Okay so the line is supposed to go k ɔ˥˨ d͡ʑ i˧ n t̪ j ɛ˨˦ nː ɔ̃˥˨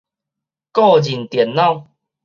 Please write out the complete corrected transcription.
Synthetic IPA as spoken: k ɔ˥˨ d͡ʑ i˨˩ n t̪ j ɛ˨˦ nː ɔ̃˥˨